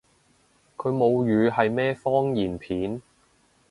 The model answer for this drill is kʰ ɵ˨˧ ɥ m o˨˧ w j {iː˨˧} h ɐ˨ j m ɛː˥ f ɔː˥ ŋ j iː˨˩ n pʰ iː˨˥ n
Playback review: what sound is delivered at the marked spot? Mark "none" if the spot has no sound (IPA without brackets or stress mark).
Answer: yː˨˧